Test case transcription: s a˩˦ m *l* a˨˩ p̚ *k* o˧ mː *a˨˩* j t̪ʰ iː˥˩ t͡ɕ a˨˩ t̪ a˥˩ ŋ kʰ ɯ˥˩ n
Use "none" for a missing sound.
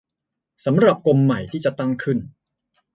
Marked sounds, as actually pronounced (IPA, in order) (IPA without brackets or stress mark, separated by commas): ɾ, k, a˨˩